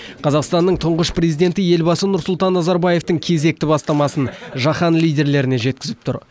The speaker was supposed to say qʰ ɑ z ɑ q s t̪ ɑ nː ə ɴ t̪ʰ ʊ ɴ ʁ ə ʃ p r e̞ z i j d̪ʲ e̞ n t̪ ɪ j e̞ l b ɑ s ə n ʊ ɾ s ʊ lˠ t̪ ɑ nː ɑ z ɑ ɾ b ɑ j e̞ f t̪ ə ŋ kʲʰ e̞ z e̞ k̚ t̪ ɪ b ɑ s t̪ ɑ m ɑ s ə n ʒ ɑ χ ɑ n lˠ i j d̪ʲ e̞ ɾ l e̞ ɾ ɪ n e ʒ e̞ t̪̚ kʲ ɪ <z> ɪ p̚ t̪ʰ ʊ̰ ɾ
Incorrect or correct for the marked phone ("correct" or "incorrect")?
correct